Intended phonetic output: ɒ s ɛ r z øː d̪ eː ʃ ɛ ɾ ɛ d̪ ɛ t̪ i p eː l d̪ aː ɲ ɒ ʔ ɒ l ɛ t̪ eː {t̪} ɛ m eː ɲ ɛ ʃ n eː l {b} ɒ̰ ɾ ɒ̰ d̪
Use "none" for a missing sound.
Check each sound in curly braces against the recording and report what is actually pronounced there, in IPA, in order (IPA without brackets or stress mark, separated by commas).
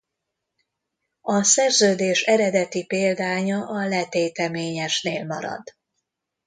t̪, m